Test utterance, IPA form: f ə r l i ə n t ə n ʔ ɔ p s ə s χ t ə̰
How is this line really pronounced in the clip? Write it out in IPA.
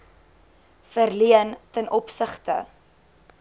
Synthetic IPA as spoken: f ə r l i ə n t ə n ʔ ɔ p s ə χ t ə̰